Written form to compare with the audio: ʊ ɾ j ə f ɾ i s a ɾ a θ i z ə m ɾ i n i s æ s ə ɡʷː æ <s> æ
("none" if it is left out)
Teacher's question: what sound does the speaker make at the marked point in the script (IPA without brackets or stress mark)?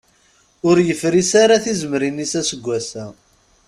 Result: s